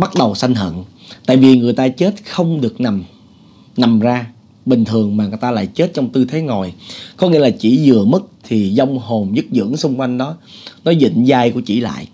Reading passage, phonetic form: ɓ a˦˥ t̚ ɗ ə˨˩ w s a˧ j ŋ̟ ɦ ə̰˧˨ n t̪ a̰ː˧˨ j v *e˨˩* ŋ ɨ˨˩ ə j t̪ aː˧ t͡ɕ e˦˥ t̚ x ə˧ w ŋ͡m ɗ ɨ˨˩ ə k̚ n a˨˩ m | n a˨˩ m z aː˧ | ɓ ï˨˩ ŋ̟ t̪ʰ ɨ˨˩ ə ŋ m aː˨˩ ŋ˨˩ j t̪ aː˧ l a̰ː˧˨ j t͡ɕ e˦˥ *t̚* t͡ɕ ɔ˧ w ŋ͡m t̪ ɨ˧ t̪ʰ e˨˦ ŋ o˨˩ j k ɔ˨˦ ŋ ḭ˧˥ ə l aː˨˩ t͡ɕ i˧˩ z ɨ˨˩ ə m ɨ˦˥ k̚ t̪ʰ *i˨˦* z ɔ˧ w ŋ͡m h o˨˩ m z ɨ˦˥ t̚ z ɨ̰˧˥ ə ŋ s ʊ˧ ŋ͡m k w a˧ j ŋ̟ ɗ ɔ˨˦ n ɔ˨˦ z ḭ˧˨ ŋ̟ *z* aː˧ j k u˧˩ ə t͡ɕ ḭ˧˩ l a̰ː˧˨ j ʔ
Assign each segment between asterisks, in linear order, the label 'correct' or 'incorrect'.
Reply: incorrect: i˨˩, correct, incorrect: i˨˩, correct

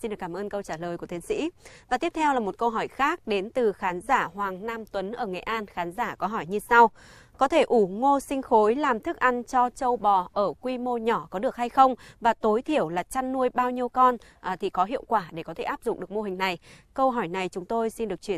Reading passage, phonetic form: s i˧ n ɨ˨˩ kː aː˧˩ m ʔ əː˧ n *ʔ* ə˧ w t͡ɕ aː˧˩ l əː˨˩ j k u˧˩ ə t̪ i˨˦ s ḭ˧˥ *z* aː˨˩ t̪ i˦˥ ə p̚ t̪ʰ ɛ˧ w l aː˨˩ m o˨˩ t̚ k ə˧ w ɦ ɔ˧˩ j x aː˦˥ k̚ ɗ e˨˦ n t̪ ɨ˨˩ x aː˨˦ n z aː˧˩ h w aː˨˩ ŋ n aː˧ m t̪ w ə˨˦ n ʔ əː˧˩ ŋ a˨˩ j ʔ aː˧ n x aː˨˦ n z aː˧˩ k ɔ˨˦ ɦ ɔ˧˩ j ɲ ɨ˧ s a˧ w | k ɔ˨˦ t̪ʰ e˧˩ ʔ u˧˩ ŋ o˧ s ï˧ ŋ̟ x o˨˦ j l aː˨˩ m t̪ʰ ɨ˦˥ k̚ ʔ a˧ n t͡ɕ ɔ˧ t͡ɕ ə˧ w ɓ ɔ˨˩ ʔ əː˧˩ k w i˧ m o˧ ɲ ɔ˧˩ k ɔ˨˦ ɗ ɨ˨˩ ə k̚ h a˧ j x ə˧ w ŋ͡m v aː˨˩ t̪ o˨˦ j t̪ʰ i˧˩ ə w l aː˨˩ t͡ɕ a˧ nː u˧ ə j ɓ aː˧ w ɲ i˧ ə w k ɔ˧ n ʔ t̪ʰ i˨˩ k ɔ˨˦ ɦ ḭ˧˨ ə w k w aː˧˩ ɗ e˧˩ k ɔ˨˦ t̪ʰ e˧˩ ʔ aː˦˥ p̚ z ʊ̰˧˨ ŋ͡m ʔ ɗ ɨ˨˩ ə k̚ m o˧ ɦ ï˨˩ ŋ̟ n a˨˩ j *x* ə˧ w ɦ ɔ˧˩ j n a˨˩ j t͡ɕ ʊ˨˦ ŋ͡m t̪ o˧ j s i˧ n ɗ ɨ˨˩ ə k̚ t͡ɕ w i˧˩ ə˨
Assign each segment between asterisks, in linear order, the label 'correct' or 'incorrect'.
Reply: incorrect: k, incorrect: v, incorrect: k

